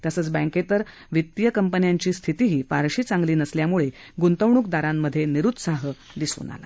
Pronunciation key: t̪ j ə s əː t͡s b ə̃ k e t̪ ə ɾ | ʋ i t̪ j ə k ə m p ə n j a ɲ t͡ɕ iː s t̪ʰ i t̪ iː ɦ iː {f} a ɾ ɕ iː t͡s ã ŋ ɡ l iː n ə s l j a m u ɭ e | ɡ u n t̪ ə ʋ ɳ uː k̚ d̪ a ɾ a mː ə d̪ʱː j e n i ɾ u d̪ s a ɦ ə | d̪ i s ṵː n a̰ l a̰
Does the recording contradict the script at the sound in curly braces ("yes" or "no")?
no